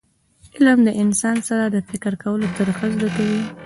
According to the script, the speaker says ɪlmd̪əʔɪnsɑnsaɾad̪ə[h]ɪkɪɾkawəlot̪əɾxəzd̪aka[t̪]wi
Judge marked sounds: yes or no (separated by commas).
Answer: no, no